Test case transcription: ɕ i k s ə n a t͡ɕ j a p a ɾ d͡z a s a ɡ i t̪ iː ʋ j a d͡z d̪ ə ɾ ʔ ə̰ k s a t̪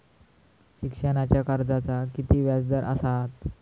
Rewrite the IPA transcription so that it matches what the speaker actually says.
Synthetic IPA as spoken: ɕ i k ʂ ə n a t͡ɕ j a k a ɾ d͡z a t͡s a k i t̪ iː ʋ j a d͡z d̪ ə ɾ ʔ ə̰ s a t̪